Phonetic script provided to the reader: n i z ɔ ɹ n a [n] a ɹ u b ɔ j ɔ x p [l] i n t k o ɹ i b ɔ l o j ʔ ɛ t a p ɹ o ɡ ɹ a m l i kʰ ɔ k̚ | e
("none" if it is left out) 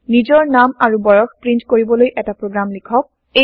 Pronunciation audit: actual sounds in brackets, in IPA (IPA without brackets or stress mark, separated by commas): m, ɹ